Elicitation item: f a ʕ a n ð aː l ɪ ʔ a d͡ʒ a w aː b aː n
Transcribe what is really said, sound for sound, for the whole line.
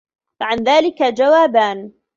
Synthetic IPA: f a ʕ a n ð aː l ɪ k a d͡ʒ a w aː b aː n